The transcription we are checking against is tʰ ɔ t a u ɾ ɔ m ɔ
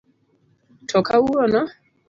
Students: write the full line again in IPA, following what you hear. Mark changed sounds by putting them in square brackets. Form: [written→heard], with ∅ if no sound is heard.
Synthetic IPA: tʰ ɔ [t→k] a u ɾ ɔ [m→n] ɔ